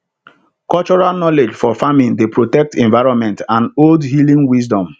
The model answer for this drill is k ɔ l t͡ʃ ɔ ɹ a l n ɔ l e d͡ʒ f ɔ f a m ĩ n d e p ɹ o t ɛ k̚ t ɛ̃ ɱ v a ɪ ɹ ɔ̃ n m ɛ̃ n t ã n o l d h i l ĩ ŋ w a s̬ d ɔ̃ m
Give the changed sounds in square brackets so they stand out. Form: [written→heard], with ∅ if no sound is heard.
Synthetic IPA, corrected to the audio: k ɔ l t͡ʃ ɔ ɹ a l n ɔ l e d͡ʒ f ɔ f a m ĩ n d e p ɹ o t ɛ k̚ t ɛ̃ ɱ v a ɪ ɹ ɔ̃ n m ɛ̃ n t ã n o l d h i l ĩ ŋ w [a→i] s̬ d ɔ̃ m